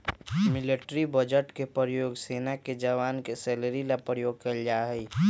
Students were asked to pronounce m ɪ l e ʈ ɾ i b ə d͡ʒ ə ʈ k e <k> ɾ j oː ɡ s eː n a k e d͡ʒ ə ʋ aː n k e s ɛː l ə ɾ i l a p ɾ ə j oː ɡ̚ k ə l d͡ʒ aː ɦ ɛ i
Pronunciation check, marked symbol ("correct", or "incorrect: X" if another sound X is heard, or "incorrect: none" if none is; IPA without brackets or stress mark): incorrect: p